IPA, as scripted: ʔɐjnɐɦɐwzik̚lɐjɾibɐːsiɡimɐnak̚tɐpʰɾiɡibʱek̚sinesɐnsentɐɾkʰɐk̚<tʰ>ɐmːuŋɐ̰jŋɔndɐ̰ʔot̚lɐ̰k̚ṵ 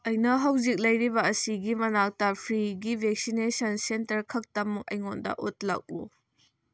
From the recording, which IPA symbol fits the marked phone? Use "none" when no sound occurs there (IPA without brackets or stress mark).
t